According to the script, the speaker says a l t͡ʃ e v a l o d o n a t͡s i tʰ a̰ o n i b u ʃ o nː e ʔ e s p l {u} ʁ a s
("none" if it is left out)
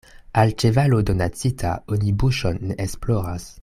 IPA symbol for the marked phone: o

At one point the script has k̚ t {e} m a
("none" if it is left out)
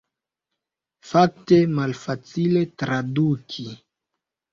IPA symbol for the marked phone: e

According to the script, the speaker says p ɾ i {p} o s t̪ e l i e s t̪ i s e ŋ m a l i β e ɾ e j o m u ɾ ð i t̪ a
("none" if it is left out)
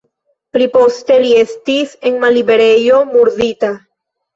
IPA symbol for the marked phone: p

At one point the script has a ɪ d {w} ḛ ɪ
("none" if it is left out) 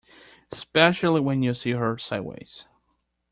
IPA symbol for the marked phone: w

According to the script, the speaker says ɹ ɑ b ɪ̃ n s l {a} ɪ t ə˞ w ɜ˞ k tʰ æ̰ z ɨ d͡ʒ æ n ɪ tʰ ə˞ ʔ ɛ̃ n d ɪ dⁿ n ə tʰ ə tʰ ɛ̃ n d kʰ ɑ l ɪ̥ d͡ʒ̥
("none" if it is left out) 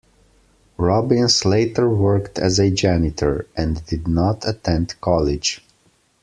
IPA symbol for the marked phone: e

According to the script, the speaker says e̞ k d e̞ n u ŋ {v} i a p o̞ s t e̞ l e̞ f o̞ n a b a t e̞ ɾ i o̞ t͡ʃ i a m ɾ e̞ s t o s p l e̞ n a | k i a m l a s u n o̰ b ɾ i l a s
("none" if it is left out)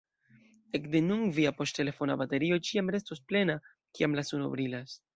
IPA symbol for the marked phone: v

